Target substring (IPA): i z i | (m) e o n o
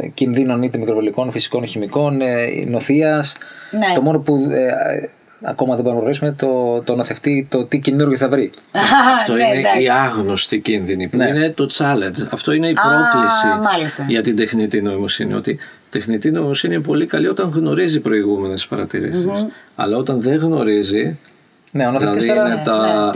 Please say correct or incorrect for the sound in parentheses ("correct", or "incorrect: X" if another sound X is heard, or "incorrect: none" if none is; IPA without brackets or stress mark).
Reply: incorrect: n